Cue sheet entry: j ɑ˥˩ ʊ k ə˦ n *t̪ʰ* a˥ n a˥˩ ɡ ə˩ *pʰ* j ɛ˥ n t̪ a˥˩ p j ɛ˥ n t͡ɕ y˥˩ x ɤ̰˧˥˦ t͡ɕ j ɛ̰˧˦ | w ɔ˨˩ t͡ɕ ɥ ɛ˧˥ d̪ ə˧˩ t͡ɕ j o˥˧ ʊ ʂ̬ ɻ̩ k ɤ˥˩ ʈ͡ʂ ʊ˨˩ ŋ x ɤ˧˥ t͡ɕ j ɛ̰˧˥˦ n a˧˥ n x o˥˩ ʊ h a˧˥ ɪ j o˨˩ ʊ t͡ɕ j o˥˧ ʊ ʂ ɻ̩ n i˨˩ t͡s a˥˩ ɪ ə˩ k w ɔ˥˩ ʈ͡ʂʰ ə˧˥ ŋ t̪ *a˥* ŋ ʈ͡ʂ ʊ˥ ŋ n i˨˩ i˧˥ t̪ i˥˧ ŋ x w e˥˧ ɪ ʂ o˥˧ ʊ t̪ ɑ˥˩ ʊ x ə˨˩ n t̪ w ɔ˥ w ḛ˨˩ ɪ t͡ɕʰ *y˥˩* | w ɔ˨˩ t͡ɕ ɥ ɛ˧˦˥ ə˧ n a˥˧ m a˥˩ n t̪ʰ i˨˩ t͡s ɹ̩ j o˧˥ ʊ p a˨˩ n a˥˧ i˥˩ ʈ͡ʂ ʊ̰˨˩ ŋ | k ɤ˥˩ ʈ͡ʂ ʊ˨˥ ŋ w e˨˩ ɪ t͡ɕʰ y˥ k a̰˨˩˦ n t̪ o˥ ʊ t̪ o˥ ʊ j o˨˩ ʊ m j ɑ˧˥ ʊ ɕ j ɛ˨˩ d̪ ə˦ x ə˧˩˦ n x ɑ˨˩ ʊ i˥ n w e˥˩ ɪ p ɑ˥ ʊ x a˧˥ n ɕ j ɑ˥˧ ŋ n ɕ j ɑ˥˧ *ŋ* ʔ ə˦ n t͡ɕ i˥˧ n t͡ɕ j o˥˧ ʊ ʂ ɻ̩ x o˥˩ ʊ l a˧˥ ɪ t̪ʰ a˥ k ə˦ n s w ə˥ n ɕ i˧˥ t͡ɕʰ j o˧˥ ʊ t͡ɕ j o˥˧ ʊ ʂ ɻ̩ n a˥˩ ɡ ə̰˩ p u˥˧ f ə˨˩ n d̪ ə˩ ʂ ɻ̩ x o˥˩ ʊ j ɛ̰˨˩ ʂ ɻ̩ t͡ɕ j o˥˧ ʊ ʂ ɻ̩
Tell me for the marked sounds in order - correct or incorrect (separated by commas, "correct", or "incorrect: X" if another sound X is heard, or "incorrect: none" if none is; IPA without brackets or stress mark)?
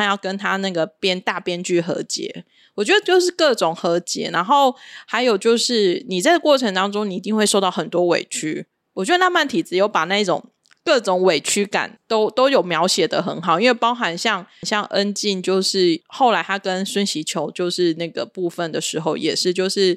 correct, incorrect: p, incorrect: ɑ˥, incorrect: y˦˥, correct